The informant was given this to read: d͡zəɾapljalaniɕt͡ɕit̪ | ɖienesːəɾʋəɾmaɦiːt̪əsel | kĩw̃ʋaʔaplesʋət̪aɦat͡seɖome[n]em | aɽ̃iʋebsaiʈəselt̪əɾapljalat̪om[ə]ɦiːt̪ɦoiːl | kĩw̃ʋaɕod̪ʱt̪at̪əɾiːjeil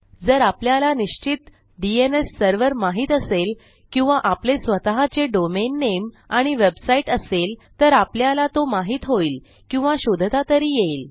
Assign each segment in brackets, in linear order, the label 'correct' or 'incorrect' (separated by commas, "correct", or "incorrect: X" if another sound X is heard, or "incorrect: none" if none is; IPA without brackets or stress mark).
incorrect: nː, incorrect: a